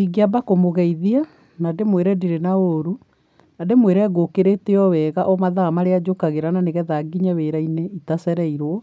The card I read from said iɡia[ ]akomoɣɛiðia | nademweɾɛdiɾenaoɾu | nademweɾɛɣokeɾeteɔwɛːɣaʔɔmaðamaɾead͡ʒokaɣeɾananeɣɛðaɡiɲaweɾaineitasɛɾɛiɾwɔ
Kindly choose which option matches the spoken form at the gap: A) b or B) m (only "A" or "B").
A